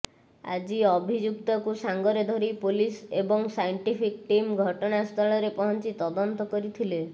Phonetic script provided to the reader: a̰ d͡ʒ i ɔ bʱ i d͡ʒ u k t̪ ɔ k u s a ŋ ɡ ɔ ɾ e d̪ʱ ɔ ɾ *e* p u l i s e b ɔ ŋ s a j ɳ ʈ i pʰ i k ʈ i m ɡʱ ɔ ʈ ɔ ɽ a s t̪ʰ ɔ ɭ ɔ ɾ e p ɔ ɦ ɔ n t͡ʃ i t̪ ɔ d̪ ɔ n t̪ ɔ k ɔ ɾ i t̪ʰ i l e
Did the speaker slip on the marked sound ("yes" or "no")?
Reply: yes